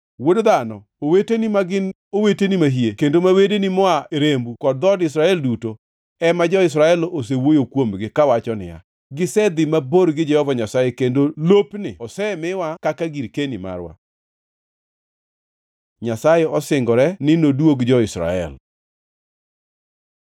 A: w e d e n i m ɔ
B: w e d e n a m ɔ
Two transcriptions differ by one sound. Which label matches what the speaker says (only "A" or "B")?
A